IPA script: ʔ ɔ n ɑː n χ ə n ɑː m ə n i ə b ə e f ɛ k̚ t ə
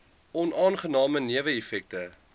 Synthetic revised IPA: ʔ ɔ n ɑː n χ ə n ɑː m ə n i ə v ə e f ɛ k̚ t ə